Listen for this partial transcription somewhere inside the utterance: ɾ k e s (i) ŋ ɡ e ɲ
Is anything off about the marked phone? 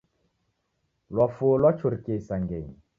yes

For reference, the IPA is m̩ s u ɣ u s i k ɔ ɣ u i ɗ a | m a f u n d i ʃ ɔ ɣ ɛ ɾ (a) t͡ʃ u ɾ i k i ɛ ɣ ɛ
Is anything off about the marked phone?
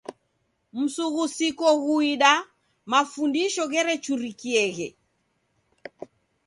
yes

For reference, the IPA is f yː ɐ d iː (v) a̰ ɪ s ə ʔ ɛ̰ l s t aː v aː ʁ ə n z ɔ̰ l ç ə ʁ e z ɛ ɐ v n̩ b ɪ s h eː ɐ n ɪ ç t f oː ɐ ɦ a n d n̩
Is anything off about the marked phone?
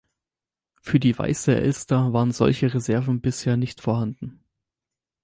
no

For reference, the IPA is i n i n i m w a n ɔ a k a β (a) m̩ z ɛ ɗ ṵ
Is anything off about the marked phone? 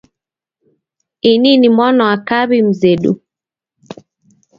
yes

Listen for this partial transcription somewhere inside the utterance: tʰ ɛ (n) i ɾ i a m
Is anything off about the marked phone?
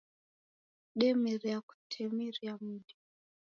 yes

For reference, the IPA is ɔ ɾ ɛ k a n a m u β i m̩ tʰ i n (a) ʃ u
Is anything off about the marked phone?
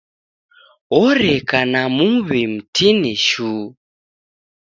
yes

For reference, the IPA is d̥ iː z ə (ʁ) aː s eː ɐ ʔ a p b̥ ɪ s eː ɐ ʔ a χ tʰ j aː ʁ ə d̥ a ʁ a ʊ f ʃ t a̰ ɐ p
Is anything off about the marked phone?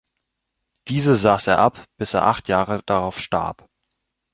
yes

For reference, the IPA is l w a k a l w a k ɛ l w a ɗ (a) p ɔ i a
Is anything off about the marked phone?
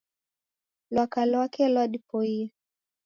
yes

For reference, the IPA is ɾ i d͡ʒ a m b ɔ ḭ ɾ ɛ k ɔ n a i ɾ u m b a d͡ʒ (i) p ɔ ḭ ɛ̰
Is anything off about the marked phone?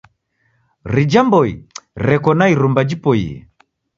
no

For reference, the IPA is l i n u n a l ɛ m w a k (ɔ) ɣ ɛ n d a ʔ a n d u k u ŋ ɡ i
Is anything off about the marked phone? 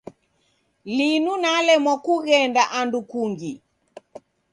yes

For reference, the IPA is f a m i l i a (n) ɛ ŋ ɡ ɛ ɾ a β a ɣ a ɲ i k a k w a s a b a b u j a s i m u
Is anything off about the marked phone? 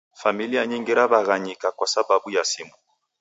yes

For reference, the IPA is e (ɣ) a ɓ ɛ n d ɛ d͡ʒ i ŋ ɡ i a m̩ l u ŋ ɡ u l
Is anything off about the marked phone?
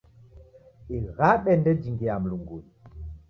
no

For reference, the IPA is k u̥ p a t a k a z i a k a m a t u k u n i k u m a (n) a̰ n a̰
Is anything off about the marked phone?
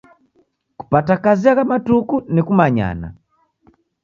yes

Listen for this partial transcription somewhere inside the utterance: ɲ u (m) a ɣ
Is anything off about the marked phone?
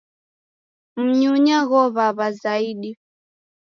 yes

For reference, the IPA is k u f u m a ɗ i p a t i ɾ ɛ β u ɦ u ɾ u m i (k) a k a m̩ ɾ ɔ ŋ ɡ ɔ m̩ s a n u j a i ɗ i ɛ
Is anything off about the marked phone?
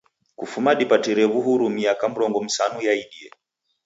yes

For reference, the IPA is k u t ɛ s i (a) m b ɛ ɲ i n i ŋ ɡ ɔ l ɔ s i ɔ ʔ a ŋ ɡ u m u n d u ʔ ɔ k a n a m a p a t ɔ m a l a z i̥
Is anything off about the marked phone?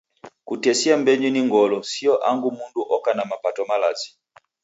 no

